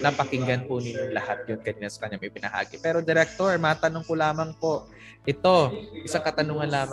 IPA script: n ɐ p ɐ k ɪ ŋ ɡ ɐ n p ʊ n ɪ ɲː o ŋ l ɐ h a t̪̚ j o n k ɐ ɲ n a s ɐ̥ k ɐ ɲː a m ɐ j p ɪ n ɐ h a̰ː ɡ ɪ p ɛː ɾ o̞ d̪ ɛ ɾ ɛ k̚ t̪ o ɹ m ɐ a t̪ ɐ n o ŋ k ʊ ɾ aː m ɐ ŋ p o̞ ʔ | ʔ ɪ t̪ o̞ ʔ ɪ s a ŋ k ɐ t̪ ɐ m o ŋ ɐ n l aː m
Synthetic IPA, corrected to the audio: n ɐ p ɐ k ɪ ŋ ɡ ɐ n p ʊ n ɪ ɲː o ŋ l ɐ h a t̪̚ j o n k ɐ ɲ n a s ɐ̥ k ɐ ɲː a m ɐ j p ɪ n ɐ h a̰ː ɡ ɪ p ɛː ɾ o̞ d̪ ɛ ɾ ɛ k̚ t̪ o ɹ m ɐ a t̪ ɐ n o ŋ k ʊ l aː m ɐ ŋ p o̞ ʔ | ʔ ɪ t̪ o̞ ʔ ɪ s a ŋ k ɐ t̪ ɐ n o ŋ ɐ n l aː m